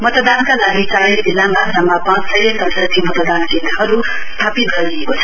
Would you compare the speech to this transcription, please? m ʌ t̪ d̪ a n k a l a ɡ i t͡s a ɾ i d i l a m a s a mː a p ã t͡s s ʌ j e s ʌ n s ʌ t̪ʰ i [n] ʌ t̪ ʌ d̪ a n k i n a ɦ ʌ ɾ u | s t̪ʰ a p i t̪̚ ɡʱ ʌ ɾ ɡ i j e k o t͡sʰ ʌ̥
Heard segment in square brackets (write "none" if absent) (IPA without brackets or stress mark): m